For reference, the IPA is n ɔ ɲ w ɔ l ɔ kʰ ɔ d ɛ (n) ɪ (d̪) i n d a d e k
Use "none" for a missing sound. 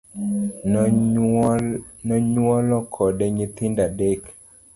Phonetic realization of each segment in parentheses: ɲ, t̪

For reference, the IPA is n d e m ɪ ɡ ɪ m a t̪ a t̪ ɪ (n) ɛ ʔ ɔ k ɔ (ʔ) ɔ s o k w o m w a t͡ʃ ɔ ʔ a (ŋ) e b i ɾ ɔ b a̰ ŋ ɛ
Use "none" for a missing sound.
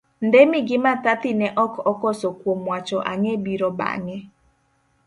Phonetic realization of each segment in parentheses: n, k, ŋ

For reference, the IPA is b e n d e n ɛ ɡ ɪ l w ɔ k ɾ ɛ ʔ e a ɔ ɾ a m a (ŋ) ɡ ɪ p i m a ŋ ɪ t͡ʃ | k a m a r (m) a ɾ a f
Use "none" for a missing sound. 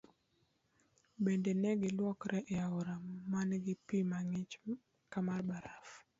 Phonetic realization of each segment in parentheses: n, b

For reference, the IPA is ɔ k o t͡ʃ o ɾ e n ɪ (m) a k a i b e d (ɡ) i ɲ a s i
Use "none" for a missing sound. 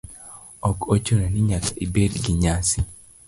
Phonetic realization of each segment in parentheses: ɲ, ɡ

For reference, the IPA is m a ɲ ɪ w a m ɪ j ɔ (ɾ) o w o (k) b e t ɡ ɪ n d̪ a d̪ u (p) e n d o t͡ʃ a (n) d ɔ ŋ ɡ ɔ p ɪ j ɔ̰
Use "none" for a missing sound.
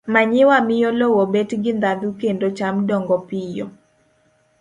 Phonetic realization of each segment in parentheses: l, none, k, m

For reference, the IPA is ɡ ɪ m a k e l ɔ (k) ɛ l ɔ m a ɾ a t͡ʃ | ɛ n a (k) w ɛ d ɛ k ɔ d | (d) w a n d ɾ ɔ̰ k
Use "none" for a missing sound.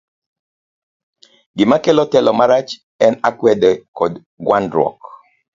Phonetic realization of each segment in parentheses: t, k, ɡ

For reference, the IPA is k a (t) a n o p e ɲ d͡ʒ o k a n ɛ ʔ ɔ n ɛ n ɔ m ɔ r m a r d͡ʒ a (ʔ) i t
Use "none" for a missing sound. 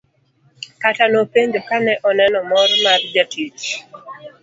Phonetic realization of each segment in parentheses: t, t

